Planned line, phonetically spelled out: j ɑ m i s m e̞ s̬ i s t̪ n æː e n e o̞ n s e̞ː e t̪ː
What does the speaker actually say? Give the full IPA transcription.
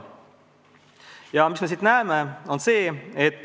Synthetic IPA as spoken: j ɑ m i s m e̞ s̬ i t̪ n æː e m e o̞ n s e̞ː e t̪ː